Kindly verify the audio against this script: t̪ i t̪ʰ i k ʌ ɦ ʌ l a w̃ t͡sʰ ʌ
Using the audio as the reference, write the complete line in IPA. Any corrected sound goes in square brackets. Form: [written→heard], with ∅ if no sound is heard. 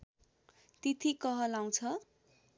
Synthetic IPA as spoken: t̪ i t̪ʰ i k ʌ ɦ ʌ l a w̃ t͡sʰ ʌ